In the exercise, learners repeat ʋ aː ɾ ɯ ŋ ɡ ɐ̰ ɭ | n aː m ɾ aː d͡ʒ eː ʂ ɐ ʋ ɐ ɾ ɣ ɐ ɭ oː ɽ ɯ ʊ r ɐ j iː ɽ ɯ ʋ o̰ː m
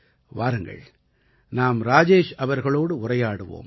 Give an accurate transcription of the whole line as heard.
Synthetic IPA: ʋ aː ɾ ɯ ŋ ɡ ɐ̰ ɭ | n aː m ɾ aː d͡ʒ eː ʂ ɐ ʋ ɐ ɾ ɣ ɐ ɭ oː ɽ ɯ ʊ r ɐ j aː ɽ ɯ ʋ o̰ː m